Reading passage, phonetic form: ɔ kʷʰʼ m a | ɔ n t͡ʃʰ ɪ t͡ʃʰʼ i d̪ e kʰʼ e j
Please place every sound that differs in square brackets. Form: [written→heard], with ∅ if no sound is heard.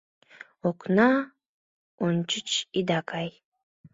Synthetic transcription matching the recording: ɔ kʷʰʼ [m→n] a | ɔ n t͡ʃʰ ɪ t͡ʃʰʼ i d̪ [e→a] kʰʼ [e→a] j